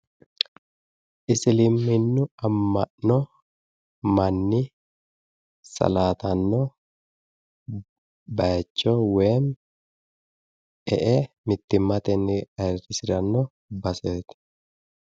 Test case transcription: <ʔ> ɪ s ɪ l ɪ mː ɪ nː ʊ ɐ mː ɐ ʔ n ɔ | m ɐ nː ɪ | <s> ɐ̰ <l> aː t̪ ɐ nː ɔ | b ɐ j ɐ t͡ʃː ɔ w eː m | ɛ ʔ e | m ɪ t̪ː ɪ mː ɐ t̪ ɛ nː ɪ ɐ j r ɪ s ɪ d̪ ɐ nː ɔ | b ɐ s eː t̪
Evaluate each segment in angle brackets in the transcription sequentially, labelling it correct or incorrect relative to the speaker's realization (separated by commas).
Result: correct, correct, correct